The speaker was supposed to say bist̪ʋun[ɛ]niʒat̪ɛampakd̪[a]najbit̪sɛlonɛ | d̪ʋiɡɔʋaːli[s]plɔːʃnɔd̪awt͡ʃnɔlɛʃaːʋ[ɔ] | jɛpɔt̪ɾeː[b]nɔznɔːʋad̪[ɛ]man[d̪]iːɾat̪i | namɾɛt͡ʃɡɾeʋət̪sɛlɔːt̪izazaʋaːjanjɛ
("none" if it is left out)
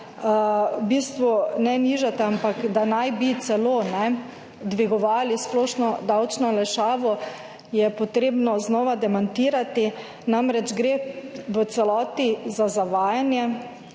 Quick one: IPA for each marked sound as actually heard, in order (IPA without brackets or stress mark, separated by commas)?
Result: ɛ, a, s, ɔ, b, ɛ, t̪